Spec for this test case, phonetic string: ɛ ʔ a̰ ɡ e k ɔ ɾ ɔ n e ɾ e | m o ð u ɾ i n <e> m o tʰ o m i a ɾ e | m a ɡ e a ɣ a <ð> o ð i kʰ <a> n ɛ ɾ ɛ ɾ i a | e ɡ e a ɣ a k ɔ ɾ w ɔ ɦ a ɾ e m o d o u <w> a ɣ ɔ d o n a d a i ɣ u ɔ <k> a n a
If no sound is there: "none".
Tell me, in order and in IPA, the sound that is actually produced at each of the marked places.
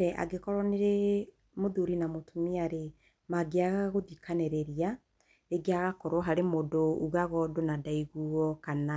a, ɣ, a, ɣ, k

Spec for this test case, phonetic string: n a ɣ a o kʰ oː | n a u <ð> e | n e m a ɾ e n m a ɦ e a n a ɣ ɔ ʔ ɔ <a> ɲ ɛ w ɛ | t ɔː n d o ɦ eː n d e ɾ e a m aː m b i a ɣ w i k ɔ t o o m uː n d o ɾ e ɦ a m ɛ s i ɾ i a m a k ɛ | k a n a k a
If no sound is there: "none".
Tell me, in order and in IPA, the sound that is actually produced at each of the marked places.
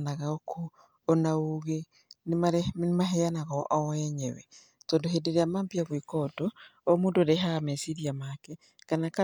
ɣ, ɛ

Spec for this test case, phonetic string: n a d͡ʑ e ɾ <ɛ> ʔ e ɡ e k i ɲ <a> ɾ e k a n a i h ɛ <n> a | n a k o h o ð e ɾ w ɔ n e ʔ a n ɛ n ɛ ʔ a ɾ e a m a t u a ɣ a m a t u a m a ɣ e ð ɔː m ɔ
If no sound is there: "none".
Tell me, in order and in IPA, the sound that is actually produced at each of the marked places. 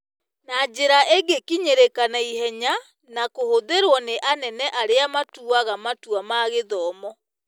a, e, ɲ

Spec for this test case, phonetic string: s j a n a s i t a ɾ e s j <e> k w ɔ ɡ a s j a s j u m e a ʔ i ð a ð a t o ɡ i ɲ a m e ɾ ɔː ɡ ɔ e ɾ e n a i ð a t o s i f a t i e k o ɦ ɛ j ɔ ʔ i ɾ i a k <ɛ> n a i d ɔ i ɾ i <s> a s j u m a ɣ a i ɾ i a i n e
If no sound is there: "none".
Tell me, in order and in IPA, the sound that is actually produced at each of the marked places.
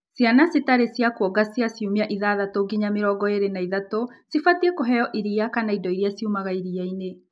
a, a, none

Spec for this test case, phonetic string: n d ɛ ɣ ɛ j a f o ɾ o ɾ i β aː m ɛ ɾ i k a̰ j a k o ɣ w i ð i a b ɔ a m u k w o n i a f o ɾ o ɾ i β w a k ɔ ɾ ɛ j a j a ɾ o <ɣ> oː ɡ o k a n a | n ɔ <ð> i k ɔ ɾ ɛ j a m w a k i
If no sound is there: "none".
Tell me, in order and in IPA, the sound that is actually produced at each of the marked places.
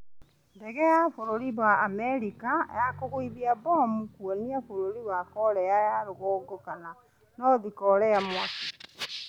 ɣ, ð

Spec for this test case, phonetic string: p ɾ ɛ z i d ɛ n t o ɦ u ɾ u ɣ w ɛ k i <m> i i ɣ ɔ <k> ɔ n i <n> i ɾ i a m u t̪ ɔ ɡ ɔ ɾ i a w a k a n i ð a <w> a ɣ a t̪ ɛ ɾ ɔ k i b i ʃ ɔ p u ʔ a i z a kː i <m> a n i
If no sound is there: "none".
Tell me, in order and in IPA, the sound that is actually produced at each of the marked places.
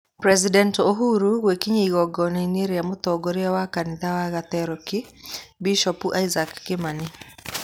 ɲ, ɡ, n, w, m

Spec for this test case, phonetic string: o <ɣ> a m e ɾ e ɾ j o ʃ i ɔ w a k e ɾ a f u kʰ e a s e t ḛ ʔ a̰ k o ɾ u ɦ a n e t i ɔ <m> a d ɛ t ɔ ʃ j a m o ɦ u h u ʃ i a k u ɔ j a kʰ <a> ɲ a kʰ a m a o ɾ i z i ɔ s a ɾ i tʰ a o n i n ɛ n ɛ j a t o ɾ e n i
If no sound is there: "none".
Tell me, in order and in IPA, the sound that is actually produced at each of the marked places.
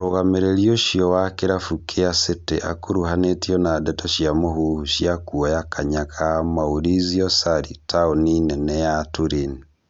ɣ, n, a

